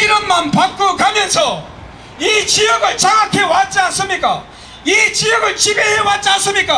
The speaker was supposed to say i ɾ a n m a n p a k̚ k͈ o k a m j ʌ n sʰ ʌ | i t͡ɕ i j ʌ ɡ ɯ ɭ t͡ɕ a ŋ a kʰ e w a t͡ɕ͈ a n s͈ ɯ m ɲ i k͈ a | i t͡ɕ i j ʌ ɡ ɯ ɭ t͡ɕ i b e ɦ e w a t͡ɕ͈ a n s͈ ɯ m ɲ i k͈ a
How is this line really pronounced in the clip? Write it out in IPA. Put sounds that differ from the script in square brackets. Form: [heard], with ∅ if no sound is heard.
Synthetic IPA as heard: i ɾ [ʌ] n m a n p a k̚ k͈ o k a m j ʌ n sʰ ʌ | i t͡ɕ i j ʌ ɡ ɯ ɭ t͡ɕ a ŋ a kʰ e w a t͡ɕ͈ a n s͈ ɯ m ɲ i k͈ a | i t͡ɕ i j ʌ ɡ ɯ ɭ t͡ɕ i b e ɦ e w a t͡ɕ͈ a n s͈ ɯ m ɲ i k͈ a